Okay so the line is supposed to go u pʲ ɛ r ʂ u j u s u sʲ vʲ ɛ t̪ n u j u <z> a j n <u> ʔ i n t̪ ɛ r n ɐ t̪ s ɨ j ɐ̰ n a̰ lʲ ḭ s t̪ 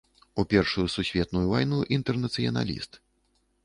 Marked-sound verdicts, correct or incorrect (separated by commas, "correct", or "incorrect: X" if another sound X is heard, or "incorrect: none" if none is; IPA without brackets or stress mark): incorrect: v, correct